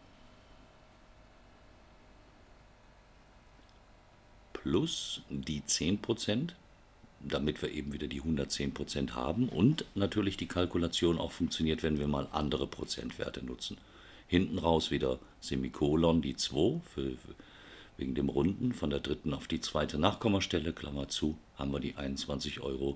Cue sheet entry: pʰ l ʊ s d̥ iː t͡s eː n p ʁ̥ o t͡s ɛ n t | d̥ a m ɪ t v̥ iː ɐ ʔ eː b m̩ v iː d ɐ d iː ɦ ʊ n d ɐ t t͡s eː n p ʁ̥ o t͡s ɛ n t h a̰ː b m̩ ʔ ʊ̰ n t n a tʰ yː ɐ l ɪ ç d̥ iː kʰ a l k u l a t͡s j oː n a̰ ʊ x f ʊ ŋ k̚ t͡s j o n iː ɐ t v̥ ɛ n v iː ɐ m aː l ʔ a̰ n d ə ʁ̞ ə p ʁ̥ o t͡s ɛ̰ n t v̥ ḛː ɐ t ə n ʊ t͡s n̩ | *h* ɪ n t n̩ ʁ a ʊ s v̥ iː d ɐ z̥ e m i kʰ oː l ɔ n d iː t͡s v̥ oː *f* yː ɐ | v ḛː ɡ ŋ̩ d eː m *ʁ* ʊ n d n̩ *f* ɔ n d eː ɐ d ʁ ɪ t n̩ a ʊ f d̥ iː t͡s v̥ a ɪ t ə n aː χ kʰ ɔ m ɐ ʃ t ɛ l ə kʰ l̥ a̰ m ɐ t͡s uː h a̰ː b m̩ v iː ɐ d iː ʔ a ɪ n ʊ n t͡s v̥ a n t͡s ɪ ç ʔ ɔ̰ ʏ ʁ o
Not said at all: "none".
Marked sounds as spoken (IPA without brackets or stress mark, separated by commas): h, f, ʁ, f